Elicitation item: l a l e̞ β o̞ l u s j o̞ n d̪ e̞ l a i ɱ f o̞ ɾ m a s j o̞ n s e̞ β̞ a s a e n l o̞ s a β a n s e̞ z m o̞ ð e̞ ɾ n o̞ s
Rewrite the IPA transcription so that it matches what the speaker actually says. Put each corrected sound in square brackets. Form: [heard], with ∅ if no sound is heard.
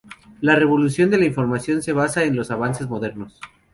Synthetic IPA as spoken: l a [r] e̞ β o̞ l u s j o̞ n d̪ e̞ l a i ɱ f o̞ ɾ m a s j o̞ n s e̞ β̞ a s a e n l o̞ s a β a n s e̞ z m o̞ ð e̞ ɾ n o̞ s